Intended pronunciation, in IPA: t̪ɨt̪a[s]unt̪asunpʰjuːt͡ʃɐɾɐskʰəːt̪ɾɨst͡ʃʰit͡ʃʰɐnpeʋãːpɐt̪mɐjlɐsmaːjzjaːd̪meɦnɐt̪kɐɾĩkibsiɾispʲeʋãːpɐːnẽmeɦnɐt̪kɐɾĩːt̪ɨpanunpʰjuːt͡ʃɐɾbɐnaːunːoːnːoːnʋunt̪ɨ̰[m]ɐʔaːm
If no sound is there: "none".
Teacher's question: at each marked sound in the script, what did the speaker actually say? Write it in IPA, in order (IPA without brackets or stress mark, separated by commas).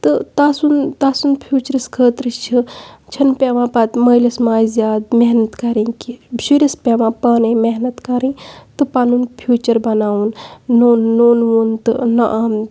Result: s, n